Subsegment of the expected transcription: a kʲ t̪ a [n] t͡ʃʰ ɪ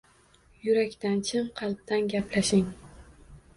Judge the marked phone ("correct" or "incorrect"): correct